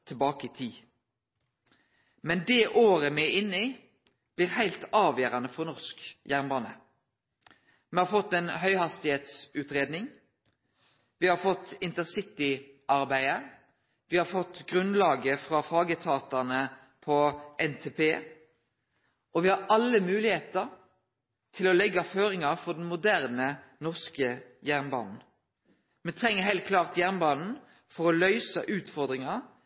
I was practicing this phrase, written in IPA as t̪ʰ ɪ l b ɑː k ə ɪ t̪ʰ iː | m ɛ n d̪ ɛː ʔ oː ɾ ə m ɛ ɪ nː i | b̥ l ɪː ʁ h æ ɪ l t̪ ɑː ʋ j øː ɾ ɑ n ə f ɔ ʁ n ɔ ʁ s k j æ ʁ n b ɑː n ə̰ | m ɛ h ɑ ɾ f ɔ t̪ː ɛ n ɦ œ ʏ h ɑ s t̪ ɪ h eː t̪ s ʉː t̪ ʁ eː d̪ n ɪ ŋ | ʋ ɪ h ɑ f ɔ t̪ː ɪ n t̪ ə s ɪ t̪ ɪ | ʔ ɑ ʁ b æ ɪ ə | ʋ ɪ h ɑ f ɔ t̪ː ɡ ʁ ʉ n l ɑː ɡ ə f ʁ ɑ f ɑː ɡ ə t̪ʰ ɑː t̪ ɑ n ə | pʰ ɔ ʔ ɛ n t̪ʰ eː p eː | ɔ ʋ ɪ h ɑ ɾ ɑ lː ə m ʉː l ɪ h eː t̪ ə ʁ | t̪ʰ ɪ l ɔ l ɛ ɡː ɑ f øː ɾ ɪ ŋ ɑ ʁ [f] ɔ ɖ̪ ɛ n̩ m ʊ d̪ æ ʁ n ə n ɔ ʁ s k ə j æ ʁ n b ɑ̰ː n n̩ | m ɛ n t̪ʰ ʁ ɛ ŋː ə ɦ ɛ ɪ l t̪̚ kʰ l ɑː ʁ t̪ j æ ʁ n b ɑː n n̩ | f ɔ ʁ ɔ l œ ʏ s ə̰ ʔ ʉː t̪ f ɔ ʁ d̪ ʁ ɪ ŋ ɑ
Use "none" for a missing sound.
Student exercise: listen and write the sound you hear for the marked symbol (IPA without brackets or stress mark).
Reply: f